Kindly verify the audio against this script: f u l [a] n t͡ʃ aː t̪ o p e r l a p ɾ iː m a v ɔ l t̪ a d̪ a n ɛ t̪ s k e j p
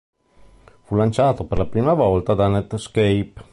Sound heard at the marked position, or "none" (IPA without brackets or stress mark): a